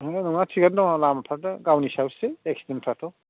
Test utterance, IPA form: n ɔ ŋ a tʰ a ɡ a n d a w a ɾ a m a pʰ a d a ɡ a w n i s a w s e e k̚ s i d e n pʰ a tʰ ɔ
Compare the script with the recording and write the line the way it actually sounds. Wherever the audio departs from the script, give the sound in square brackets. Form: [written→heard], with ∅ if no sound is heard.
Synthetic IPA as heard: n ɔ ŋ a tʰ [a→i] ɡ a n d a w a [ɾ→l] a m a pʰ a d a ɡ a w n i s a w s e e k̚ s i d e n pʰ a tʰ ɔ